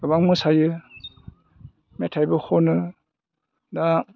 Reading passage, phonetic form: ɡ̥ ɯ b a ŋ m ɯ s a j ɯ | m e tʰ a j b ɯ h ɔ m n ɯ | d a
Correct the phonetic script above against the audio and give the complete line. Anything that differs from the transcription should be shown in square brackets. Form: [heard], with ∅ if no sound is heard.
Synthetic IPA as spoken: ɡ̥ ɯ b a ŋ m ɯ s a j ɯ | m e tʰ a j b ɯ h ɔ [∅] n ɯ | d a